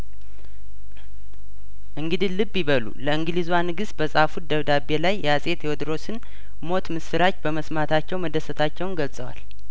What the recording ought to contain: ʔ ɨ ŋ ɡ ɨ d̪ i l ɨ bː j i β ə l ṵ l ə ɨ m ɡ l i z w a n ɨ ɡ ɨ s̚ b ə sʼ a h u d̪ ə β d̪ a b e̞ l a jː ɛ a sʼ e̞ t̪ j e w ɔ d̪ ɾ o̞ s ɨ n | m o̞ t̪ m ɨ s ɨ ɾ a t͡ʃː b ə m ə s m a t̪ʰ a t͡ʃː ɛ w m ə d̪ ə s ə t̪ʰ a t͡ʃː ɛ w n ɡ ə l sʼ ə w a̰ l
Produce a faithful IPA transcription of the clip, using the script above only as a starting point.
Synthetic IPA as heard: ʔ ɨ ŋ ɡ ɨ d̪ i l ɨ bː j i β ə l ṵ l ə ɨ ŋ ɡ l i z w a n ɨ ɡ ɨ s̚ b ə sʼ a f u d̪ ə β d̪ a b e̞ l a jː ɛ a sʼ e̞ t̪ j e w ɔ d̪ ɾ o̞ s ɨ n | m o̞ t̪ m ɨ s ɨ ɾ a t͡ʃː b ə m ə s m a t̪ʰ a t͡ʃː ɛ w m ə d̪ ə s ə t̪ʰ a t͡ʃː ɛ w n ɡ ə l sʼ ə w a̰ l